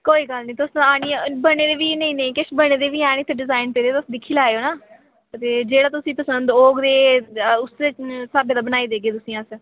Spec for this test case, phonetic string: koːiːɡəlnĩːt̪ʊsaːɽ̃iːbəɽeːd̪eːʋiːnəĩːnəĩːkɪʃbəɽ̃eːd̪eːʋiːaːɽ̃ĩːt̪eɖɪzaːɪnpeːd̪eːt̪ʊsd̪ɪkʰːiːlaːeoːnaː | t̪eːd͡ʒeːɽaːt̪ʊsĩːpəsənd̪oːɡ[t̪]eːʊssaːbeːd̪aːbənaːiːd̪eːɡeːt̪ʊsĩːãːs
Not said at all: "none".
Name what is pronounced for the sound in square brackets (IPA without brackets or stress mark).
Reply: d̪